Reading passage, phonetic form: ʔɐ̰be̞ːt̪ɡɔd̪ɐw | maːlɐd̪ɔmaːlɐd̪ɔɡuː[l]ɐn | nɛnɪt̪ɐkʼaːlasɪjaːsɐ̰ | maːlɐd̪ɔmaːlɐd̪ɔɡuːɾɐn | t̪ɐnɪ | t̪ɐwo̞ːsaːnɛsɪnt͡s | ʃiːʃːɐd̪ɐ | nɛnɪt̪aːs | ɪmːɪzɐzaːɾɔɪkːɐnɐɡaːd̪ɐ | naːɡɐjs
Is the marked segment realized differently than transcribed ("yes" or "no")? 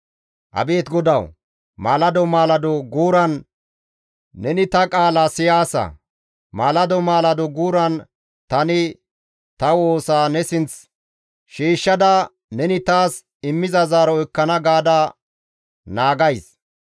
yes